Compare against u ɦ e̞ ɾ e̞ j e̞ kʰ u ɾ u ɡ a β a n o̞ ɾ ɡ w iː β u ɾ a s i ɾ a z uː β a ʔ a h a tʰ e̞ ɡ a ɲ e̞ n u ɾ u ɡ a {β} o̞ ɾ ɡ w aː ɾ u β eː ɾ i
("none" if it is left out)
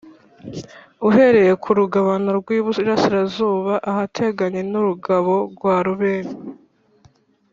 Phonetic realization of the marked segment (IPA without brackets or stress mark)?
β